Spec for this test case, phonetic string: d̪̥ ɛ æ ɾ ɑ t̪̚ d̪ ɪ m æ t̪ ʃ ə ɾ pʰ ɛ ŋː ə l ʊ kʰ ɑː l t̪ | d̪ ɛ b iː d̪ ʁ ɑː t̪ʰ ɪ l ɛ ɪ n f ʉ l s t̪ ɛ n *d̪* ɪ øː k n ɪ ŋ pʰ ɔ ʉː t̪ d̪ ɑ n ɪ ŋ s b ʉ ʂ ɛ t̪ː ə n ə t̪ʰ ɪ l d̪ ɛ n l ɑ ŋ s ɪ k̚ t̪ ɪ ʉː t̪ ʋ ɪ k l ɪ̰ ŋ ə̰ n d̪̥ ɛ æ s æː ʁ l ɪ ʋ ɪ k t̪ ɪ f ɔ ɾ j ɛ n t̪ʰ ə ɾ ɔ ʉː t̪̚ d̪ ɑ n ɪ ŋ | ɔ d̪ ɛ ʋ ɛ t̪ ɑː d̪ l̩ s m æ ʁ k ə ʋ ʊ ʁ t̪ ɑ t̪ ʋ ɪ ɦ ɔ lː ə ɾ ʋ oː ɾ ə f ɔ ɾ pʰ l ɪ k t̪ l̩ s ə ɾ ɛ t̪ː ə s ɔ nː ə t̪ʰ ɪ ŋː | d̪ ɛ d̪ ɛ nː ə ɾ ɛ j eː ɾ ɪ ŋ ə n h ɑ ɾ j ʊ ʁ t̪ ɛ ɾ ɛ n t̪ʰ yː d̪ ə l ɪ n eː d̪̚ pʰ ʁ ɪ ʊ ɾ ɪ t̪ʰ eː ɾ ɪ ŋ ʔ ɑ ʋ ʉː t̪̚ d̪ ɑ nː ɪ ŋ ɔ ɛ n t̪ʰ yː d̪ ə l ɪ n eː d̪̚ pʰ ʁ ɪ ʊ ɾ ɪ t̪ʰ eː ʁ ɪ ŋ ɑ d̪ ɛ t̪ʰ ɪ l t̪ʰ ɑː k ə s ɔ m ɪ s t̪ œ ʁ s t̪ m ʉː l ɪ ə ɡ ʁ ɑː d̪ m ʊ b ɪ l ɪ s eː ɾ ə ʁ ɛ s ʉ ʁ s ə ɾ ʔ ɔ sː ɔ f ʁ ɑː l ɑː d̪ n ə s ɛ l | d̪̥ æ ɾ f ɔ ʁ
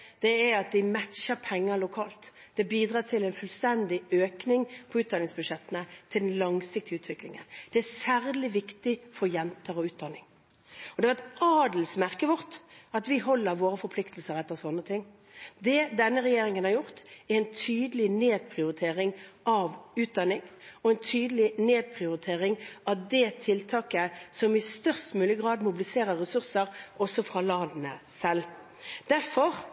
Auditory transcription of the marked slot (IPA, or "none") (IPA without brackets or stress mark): d̪